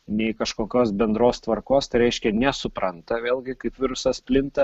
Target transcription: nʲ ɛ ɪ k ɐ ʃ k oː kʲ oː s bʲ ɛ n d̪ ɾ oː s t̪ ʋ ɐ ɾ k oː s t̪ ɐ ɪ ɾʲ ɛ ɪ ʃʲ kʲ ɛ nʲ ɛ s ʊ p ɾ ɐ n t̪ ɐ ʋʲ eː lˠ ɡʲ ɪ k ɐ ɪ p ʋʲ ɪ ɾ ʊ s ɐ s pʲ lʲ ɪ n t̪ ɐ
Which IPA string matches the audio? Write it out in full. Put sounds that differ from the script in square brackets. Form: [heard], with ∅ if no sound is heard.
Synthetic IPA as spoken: nʲ ɛ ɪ k ɐ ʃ k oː kʲ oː s bʲ ɛ n d̪ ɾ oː s t̪ ʋ ɐ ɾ k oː s t̪ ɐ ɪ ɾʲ ɛ ɪ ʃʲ kʲ ɛ nʲ ɛ s ʊ p ɾ ɐ n t̪ ɐ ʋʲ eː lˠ ɡʲ ɪ k ɐ ɪ p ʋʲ ɪ ɾ ʊ s ɐ s pʲ lʲ ɪ n t̪ ɐ